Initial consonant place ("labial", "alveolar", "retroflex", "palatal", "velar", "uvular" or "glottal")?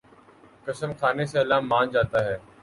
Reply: velar